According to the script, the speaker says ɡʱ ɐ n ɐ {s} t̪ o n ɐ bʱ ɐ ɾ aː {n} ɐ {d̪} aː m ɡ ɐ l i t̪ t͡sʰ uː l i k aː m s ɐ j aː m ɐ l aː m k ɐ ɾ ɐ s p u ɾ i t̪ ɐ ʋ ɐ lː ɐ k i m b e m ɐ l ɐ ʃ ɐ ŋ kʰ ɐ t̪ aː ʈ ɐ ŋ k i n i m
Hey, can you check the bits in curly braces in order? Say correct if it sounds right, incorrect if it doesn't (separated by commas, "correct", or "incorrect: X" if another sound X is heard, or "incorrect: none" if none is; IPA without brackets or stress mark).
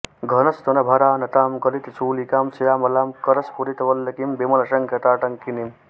correct, correct, incorrect: t̪